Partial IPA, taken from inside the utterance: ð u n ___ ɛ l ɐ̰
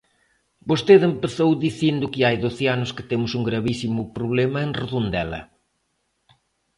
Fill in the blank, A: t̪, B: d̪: B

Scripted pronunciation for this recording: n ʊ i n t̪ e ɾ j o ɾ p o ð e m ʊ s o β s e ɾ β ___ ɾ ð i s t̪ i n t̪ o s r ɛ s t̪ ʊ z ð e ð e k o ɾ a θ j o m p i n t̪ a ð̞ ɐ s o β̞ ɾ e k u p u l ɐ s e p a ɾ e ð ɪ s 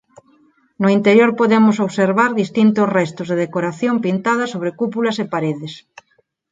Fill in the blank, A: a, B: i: A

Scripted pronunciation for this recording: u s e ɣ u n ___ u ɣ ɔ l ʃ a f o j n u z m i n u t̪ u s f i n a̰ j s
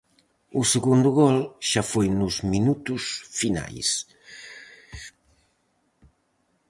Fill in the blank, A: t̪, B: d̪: B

